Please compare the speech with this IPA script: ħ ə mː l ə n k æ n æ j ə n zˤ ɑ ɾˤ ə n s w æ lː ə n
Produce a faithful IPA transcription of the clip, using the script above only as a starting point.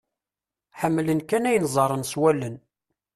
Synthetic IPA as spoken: ħ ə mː l ə n k æ n æ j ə n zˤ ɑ ɾˤ ə n s w æ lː ə n